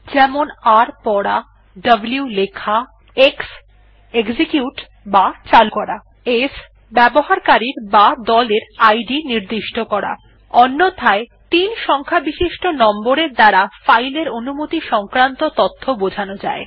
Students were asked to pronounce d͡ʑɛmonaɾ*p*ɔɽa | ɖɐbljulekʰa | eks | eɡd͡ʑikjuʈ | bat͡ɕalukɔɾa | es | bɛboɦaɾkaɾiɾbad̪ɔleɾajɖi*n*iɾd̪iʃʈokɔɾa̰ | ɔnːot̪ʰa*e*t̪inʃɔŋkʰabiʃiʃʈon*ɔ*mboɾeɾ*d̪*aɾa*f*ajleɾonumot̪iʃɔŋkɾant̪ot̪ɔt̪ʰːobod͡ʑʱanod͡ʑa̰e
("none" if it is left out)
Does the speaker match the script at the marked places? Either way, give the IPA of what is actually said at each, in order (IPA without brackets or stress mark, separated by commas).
p, n, e, ɔ, d̪, f